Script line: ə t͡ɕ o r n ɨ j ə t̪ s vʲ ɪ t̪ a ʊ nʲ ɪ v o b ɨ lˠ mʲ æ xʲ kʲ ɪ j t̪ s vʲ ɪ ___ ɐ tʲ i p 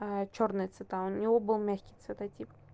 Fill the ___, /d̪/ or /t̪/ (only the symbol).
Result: t̪